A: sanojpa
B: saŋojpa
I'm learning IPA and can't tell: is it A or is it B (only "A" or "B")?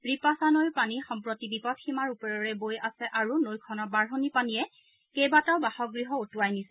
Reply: A